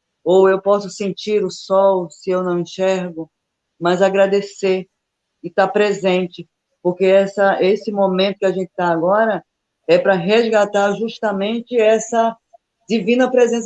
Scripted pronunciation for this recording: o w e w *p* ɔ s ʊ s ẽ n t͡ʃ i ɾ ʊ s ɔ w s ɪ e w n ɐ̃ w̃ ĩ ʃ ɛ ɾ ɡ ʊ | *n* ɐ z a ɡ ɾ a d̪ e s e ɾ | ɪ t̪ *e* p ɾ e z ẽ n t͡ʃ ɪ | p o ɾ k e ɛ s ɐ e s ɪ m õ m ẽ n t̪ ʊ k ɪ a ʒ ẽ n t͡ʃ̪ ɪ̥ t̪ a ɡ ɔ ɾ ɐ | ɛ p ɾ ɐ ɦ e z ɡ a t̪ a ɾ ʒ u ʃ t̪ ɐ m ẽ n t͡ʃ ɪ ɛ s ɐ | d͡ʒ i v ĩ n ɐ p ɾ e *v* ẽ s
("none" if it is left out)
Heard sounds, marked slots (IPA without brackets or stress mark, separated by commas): p, m, a, z